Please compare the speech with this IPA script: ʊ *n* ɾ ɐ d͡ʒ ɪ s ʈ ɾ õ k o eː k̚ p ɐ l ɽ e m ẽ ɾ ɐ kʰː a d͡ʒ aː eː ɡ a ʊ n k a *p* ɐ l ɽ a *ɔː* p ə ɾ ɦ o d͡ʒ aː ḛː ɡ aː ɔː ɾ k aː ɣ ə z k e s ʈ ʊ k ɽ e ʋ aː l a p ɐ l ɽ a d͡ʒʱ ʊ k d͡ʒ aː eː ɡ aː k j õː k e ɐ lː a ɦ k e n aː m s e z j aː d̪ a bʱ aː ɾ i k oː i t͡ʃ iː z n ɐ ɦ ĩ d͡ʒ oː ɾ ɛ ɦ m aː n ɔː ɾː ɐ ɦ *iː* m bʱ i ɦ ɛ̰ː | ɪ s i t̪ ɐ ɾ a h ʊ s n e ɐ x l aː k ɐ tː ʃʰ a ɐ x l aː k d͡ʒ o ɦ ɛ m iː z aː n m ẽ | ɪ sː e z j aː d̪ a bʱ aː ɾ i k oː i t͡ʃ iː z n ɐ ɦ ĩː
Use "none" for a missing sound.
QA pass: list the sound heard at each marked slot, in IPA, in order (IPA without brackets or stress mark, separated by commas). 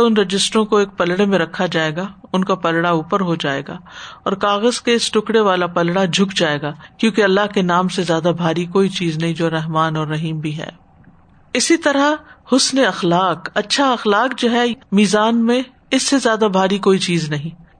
n, p, uː, iː